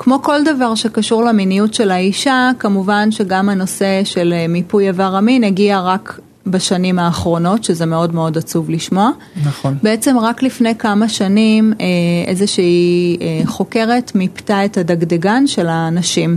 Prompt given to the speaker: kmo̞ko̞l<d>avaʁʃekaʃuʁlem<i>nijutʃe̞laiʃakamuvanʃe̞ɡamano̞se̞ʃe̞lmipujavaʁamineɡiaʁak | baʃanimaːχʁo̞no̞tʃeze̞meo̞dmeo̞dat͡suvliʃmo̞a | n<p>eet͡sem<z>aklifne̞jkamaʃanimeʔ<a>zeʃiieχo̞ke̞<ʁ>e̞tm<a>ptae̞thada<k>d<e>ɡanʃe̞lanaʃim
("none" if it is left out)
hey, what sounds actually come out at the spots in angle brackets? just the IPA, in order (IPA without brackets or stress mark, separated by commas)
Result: d, i, b, ʁ, e, ʁ, i, ɡ, e